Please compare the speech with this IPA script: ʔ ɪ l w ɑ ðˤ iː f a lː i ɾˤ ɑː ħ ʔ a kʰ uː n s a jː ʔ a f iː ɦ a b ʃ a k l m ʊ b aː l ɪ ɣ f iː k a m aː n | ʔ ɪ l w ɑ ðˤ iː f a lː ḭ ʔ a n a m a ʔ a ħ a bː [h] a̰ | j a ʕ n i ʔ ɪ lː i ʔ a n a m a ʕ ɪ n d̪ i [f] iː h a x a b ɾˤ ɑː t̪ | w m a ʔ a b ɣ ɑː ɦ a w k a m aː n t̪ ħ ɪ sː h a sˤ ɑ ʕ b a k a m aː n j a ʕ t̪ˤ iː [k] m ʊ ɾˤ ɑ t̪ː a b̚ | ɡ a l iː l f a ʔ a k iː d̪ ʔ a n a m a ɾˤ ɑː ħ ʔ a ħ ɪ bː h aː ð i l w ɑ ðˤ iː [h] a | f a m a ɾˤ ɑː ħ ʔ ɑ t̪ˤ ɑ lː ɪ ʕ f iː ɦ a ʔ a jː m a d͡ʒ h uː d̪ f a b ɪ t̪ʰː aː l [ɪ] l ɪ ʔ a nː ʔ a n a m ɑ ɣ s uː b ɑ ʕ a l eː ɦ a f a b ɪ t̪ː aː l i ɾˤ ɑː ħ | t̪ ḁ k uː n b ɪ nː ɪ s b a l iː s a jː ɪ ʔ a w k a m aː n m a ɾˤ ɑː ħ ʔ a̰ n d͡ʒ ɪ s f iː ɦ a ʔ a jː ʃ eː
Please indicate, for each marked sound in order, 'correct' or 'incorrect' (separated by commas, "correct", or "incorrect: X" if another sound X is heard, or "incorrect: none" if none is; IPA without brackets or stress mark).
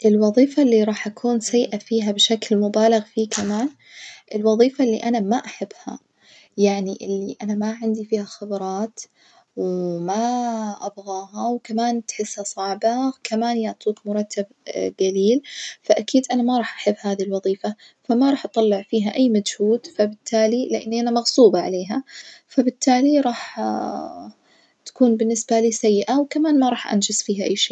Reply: correct, correct, correct, incorrect: f, incorrect: i